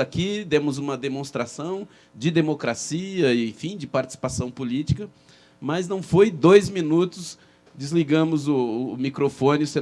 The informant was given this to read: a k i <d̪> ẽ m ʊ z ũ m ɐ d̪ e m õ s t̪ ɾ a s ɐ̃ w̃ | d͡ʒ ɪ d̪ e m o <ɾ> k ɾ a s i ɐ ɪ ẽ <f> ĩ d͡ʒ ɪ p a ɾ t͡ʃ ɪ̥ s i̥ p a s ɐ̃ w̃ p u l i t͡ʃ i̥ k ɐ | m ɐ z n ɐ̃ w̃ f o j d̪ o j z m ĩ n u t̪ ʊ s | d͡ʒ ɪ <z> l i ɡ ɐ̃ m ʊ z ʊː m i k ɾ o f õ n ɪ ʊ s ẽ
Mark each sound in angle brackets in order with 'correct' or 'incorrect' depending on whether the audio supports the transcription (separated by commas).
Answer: correct, incorrect, correct, correct